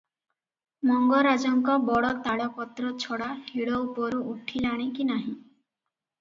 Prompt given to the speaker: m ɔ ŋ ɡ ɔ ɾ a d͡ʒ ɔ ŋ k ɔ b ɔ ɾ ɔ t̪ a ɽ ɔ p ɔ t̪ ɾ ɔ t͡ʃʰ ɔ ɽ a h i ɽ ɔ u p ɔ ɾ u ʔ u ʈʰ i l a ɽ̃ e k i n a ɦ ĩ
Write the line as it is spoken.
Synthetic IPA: m ɔ ŋ ɡ ɔ ɾ a d͡ʒ ɔ ŋ k ɔ b ɔ ɽ ɔ t̪ a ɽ ɔ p ɔ t̪ ɾ ɔ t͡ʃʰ ɔ ɽ a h i ɽ ɔ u p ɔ ɾ u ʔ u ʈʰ i l a ɽ̃ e k i n a ɦ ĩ